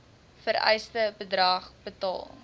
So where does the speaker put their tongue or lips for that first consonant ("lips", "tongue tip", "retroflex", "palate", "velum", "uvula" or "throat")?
lips